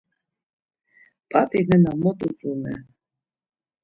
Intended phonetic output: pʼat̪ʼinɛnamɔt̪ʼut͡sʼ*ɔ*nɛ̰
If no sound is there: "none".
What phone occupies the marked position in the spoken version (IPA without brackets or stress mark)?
u